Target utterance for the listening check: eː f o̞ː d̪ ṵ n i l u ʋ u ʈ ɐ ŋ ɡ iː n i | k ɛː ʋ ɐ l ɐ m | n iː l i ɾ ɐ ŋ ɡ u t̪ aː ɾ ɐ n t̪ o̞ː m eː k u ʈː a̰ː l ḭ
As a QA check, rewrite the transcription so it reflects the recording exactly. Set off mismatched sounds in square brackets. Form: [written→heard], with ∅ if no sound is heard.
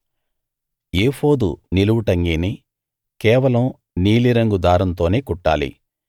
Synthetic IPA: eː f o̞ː d̪ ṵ n i l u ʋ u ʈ ɐ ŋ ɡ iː n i | k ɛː ʋ ɐ l ɐ m | n iː l i ɾ ɐ ŋ ɡ u [t̪→d̪] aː ɾ ɐ n t̪ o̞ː [m→n] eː k u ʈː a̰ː l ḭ